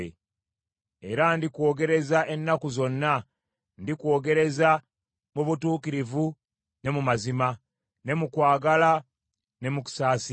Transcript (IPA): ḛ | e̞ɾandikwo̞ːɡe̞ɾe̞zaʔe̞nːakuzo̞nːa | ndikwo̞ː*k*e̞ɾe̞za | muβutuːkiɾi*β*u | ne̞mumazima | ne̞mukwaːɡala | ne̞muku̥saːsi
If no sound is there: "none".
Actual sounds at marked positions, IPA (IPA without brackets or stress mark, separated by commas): ɡ, v